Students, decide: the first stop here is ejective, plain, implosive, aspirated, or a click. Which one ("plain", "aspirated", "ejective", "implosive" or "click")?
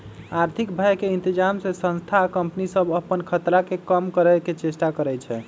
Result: aspirated